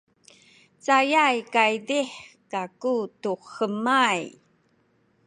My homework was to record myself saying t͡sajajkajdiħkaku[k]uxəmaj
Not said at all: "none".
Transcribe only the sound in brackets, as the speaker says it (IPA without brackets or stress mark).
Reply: t